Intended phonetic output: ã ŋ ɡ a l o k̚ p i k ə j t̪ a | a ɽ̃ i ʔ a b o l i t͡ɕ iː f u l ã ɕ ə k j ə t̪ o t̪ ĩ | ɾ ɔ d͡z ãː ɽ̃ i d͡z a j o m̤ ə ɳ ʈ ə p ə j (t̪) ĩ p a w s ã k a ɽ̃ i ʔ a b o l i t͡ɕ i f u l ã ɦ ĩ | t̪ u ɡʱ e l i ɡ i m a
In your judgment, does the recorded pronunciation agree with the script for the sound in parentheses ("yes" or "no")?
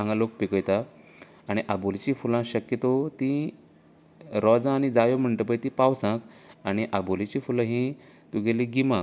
yes